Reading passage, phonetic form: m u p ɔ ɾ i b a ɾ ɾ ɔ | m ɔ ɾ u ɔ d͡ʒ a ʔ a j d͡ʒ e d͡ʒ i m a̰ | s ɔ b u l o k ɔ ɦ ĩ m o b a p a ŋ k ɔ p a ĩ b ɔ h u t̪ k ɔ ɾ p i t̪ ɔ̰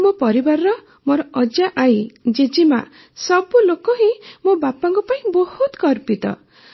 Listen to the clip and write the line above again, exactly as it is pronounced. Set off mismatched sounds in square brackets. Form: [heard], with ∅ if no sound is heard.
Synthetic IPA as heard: m [o] p ɔ ɾ i b a ɾ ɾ ɔ | m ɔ ɾ [ɔ] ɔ d͡ʒ a ʔ a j d͡ʒ e d͡ʒ i m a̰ | s ɔ b u l o k ɔ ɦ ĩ m o b a p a ŋ k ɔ p a ĩ b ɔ h u t̪ k ɔ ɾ p i t̪ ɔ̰